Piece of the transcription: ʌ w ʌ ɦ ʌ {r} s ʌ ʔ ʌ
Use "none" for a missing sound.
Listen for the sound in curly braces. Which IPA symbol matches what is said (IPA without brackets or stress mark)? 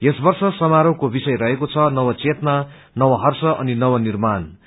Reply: r